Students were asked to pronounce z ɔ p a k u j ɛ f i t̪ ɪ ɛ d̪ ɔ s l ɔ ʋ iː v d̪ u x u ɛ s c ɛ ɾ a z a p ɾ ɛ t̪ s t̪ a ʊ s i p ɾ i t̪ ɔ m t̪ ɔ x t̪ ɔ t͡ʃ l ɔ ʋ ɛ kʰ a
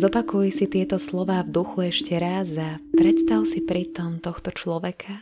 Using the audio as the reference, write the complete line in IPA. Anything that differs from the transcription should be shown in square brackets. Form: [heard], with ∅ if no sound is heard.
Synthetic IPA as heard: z ɔ p a k u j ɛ [s] i t̪ ɪ ɛ [t̪] ɔ s l ɔ ʋ [aː] v d̪ u x u ɛ [ʃ] c ɛ ɾ a z a p ɾ ɛ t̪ s t̪ a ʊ s i p ɾ i t̪ ɔ m t̪ ɔ x t̪ ɔ t͡ʃ l ɔ ʋ ɛ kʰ a